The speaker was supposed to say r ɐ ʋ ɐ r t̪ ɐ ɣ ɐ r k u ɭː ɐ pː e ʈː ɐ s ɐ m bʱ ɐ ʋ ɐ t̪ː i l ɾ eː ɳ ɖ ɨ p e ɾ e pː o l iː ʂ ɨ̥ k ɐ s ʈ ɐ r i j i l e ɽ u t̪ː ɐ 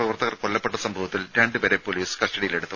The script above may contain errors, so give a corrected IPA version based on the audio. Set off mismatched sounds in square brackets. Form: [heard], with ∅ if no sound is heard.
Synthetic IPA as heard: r ɐ ʋ ɐ r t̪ ɐ ɣ ɐ r k [o] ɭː ɐ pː e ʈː ɐ s ɐ m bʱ ɐ ʋ ɐ t̪ː i l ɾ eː ɳ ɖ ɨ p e ɾ e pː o l iː [s] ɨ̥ k ɐ s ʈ ɐ [ɽ] i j i l e ɽ u t̪ː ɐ